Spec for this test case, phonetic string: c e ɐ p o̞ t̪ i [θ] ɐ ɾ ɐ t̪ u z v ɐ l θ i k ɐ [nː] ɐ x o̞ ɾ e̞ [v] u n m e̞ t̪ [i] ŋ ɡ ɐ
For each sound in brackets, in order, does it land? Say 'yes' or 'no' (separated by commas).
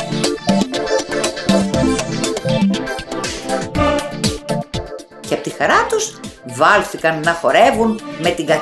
no, yes, yes, yes